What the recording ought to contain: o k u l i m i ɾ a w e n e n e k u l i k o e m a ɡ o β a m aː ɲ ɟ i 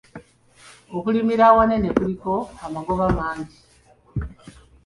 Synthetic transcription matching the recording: o k u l i m i ɾ a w a n e n e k u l i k o a m a ɡ o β a m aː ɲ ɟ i